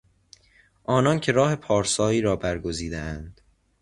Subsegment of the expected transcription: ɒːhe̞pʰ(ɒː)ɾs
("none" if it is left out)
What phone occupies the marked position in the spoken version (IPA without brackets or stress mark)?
ɒː